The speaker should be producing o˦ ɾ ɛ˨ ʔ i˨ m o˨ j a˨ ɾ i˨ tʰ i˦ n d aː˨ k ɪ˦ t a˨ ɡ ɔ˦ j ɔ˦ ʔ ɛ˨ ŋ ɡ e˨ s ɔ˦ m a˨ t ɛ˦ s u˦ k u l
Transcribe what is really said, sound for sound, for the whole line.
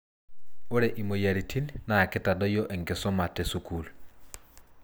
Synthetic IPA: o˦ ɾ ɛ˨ ʔ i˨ m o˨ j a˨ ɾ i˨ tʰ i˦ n n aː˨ k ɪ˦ t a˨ d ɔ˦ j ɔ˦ ʔ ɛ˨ ŋ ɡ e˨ s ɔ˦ m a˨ t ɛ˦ s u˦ k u l